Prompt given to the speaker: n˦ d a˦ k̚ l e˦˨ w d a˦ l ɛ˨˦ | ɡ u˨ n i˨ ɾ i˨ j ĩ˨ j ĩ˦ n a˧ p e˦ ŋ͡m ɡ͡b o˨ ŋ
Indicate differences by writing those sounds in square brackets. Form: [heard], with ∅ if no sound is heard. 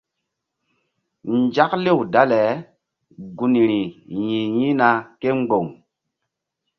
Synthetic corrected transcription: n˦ [d͡ʒ] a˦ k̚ l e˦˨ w d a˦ l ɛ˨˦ | ɡ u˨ n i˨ ɾ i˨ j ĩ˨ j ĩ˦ n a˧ [k] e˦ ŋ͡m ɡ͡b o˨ ŋ